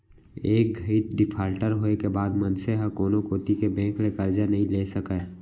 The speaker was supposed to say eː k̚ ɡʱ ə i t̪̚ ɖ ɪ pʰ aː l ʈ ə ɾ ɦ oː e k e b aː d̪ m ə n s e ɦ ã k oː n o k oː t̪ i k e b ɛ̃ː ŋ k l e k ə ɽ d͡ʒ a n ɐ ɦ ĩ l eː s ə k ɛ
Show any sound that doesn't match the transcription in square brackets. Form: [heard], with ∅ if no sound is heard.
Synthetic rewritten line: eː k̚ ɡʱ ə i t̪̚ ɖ ɪ pʰ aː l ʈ ə ɾ ɦ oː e k e b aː d̪ m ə n s e ɦ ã k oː n o k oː t̪ i k e b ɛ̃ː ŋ k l e k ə [ɾ] d͡ʒ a n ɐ ɦ ĩ l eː s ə k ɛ

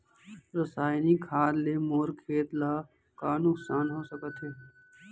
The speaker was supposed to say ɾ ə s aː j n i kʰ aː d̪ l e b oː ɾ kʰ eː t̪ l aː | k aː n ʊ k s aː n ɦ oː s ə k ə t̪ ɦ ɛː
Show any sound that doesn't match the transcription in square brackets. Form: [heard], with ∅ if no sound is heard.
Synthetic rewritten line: ɾ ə s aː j n i kʰ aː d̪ l e [m] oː ɾ kʰ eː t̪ l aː | k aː n ʊ k s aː n ɦ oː s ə k ə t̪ ɦ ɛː

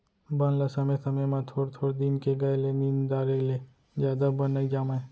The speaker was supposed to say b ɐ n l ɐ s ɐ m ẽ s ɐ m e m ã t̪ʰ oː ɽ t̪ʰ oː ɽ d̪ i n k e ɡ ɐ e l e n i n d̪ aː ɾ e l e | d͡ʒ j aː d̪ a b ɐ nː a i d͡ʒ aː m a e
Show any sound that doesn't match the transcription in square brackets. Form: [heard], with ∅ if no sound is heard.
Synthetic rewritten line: b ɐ n l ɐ s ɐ m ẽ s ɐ m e m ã t̪ʰ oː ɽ t̪ʰ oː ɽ d̪ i n k e ɡ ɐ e l e n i n d̪ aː ɾ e l e | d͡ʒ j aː d̪ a b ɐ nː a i d͡ʒ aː m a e

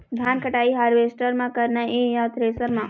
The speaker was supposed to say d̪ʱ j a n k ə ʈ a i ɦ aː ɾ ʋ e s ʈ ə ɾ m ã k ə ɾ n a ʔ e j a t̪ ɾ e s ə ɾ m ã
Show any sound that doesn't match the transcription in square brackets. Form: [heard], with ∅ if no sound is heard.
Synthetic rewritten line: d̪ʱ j a n k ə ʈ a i ɦ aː ɾ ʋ e s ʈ ə ɾ m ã k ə ɾ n a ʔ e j a t̪ ɾ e s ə ɾ m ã

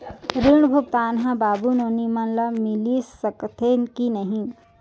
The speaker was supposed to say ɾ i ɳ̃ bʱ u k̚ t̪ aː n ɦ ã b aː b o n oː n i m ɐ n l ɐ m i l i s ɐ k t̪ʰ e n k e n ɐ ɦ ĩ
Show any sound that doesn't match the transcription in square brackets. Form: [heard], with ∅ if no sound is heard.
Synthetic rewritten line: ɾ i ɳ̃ bʱ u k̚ t̪ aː n ɦ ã b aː b [u] n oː n i m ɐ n l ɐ m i l i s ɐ k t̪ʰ e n k [i] n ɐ ɦ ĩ

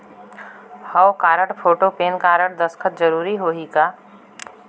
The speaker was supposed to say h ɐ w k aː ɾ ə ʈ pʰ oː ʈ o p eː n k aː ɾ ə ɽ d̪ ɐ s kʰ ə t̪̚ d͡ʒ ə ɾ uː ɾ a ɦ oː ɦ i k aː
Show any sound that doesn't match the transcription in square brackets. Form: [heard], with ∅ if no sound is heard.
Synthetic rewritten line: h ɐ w k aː ɾ ə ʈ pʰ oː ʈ o p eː n k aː ɾ ə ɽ d̪ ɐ s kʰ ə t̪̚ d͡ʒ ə ɾ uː ɾ [i] ɦ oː ɦ i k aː

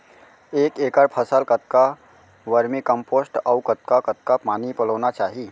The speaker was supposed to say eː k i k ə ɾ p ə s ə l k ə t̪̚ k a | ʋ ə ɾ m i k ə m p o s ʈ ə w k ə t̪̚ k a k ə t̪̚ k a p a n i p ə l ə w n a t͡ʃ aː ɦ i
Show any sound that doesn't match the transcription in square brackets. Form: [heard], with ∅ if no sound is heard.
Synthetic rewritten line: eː k [e] k ə ɾ [pʰ] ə s ə l k ə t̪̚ k a | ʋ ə ɾ m i k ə m p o s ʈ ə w k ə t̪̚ k a k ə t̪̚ k a p a n i p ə l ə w n a t͡ʃ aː ɦ i

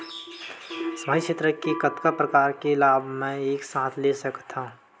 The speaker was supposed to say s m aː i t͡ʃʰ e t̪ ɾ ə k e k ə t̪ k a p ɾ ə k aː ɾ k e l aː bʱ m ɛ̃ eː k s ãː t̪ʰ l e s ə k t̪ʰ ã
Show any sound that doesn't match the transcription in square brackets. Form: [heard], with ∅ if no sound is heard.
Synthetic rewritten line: s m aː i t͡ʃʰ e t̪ ɾ ə k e k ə t̪ k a p ɾ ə k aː ɾ k e l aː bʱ m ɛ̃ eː k s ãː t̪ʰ l e s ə k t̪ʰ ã

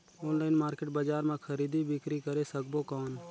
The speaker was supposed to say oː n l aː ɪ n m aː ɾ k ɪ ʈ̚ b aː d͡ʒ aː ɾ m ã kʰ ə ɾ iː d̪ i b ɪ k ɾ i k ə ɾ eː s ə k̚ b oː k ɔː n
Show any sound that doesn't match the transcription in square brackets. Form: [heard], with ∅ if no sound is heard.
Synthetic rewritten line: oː n l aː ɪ n m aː ɾ k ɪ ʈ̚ b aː d͡ʒ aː ɾ m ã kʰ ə ɾ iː d̪ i b ɪ k ɾ i k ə ɾ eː s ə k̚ b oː k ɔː n

